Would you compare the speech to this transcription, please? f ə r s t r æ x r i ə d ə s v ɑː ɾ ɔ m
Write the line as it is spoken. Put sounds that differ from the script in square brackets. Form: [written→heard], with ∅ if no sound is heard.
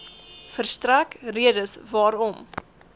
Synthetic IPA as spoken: f ə r s t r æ [x→k] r i ə d ə s v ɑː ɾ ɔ m